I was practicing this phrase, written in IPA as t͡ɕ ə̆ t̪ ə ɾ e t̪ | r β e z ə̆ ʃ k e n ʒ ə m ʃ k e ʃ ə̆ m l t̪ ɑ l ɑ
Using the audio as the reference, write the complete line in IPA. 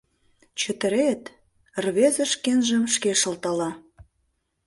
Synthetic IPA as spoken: t͡ɕ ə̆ t̪ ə ɾ e t̪ | r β e z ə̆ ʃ k e n ʒ ə m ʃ k e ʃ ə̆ l t̪ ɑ l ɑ

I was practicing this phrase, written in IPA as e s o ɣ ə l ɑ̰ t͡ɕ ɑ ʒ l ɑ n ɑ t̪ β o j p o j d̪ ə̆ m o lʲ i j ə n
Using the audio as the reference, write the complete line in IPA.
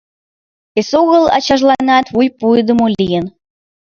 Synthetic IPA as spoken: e s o ɣ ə l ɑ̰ t͡ɕ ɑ ʒ l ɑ n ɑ t̪ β u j p u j d̪ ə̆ m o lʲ i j ə n

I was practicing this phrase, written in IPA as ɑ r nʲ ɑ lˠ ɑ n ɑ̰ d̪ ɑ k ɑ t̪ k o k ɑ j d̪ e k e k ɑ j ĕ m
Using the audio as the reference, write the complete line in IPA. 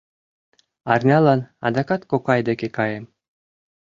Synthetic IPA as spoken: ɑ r nʲ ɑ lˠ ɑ n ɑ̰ d̪ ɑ k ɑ t̪ k o k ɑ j d̪ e k e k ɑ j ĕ m

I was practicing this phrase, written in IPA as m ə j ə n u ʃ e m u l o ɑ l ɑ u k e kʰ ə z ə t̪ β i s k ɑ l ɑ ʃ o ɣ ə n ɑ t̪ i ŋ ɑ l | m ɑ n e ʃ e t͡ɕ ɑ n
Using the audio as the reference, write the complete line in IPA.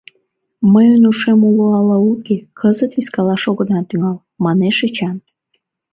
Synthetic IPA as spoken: m ə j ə n u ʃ e m u l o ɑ l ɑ u k e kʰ ə z ə t̪ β i s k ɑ l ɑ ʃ o ɣ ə n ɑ t̪ y ŋ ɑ l | m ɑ n e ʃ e t͡ɕ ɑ n

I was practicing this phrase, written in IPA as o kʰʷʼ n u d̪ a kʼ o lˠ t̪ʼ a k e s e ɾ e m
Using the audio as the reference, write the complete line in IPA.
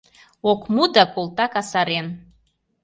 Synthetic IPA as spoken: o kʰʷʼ m u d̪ a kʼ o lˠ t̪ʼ a k a s a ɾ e n

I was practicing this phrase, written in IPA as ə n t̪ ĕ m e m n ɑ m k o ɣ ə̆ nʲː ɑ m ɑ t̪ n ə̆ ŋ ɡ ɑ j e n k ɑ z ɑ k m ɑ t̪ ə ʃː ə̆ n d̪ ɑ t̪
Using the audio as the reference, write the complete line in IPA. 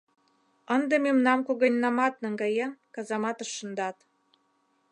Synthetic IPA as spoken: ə n d̪ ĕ m e m n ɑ m k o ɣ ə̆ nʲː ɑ m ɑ t̪ n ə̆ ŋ ɡ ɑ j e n k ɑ z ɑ m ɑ t̪ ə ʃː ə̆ n d̪ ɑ t̪

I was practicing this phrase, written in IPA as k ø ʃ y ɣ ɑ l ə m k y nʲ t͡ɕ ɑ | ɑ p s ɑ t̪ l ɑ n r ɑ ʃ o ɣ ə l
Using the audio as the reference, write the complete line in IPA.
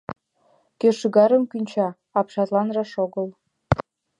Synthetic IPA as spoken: k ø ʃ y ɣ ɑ ɾ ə m k y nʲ t͡ɕ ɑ | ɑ p ʃ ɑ t̪ l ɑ n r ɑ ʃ o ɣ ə l

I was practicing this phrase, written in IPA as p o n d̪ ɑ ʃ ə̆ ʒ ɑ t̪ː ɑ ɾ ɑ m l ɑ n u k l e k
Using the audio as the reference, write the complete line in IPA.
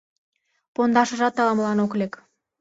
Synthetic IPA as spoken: p o n d̪ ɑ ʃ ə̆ ʒ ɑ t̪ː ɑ l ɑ m l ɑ n o k l e k

